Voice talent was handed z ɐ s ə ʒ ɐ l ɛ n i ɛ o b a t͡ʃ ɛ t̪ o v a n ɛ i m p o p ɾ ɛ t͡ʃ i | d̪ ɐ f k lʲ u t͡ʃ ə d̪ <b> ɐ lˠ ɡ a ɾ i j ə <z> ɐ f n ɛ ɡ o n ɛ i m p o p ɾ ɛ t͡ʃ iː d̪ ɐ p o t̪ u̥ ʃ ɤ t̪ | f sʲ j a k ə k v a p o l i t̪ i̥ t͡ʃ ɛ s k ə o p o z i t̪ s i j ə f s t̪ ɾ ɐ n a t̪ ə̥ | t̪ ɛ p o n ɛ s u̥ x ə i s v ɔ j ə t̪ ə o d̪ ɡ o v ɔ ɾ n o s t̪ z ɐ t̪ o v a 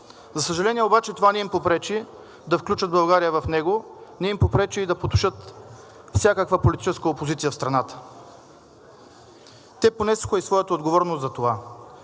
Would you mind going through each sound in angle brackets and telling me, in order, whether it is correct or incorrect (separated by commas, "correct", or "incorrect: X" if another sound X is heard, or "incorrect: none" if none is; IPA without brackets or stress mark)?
correct, incorrect: v